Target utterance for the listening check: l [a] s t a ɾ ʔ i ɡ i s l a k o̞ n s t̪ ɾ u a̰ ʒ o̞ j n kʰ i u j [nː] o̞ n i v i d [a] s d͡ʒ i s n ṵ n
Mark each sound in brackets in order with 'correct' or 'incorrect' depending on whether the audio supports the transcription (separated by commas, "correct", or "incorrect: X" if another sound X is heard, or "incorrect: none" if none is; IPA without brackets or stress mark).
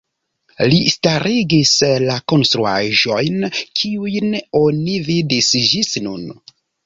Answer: incorrect: i, incorrect: n, incorrect: i